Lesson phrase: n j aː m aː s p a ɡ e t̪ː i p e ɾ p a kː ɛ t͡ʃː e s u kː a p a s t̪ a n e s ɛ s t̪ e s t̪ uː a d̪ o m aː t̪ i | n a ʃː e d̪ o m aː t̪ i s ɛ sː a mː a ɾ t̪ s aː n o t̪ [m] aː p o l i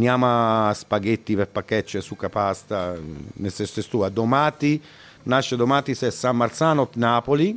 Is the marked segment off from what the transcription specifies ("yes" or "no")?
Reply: yes